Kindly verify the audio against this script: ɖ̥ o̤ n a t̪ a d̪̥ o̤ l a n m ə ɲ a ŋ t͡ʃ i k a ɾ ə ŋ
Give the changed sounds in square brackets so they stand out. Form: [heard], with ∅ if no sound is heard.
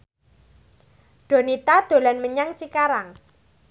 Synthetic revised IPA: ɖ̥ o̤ n [i] t̪ a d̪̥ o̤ l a n m ə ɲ a ŋ t͡ʃ i k a ɾ [a] ŋ